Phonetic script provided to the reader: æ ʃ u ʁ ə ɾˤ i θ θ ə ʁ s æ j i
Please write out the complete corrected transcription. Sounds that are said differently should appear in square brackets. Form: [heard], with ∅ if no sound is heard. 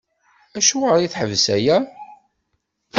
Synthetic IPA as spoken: æ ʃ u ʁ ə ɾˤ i θ [ħ] ə [v] s æ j [æ]

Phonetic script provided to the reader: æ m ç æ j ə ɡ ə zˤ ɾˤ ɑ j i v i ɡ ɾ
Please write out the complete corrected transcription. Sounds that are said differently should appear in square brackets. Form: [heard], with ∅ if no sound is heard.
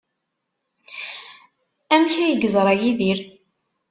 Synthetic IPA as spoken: æ m ç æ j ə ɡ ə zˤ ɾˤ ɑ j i [ð] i [∅] ɾ

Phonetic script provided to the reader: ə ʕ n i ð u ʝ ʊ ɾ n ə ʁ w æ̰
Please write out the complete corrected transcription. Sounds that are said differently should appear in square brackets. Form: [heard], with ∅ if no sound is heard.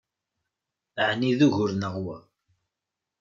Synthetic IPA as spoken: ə ʕ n i ð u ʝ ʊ ɾ n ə ʁ w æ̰

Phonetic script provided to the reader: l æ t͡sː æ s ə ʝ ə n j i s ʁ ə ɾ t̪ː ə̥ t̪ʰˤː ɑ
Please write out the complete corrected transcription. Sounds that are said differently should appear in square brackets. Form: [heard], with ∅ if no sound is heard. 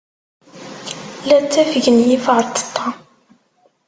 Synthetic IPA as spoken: l æ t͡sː æ [f] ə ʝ ə n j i [f] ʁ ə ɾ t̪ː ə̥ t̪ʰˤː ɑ

